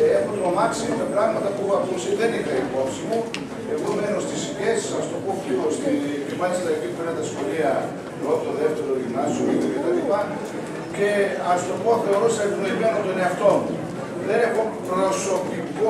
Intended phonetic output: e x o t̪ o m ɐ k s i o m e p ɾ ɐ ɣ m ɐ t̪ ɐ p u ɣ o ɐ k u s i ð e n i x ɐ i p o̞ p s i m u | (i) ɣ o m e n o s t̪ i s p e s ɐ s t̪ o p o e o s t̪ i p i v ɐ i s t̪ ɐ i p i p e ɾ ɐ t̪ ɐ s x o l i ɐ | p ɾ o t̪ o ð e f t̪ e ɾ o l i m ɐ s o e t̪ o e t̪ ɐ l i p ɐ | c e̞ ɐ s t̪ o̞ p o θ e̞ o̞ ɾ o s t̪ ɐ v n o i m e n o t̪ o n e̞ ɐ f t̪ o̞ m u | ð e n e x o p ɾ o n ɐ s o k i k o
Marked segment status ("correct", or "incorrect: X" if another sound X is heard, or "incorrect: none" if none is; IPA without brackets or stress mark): incorrect: e